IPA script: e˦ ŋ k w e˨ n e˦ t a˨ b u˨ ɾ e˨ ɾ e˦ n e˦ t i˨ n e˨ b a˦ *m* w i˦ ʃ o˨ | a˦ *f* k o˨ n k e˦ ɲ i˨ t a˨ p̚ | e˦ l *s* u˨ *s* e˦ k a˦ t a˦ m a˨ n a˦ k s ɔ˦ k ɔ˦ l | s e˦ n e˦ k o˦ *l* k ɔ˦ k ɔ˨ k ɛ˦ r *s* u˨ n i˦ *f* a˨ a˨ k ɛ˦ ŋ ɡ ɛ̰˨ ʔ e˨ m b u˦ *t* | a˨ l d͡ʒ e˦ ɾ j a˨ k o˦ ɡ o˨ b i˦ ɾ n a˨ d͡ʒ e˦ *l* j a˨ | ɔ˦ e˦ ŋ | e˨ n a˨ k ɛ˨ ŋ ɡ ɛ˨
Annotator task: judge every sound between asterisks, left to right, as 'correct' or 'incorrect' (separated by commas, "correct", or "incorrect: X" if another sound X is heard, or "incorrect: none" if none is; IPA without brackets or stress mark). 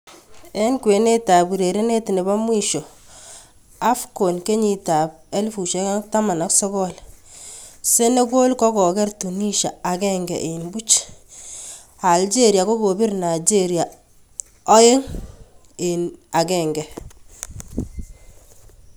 correct, correct, incorrect: f, incorrect: ʃ, correct, incorrect: t, incorrect: ʃ, incorrect: t͡ʃ, incorrect: ɾ